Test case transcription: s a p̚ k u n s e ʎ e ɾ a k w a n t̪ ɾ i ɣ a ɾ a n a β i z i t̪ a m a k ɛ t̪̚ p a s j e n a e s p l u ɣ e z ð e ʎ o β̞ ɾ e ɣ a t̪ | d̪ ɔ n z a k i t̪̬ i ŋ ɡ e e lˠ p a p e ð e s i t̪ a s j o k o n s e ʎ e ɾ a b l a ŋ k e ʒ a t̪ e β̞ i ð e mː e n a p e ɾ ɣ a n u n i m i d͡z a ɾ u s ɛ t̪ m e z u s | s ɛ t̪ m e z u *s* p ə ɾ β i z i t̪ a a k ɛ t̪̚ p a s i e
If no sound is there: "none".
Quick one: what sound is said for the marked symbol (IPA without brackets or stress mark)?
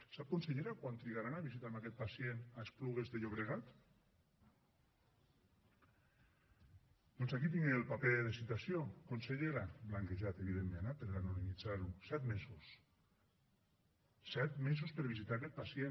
s